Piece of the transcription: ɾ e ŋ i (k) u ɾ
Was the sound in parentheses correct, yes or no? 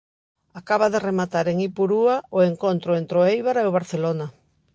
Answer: no